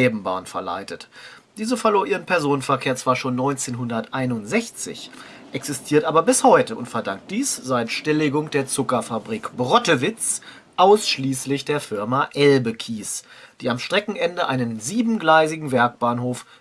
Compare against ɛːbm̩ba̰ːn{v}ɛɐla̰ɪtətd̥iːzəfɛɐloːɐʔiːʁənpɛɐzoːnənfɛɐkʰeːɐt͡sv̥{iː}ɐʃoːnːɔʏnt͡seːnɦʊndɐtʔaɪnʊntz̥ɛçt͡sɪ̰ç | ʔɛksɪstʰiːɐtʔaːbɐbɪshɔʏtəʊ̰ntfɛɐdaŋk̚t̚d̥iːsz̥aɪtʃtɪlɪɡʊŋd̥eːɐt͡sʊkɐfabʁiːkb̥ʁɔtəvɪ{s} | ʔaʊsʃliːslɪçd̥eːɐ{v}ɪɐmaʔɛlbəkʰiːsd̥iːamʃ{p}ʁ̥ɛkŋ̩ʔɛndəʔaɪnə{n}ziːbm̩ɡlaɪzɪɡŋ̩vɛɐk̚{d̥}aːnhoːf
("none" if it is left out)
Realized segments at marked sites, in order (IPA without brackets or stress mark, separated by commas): f, aː, t͡s, f, t, n, b̥